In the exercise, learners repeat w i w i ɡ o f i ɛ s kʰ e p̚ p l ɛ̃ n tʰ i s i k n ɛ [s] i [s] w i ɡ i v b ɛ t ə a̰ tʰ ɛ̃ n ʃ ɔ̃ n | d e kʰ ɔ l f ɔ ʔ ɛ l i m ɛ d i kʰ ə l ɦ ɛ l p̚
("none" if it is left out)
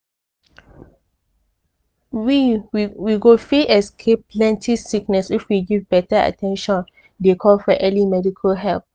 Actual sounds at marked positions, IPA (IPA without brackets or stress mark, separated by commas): s, f